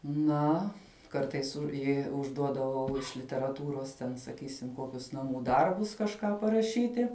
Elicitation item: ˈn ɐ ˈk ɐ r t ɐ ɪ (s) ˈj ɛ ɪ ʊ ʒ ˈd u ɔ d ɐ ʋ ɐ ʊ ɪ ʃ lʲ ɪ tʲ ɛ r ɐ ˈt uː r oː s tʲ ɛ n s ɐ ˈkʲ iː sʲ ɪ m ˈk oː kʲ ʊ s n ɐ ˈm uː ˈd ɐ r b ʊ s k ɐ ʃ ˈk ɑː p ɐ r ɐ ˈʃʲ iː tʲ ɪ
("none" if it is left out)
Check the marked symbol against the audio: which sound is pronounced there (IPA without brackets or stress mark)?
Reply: s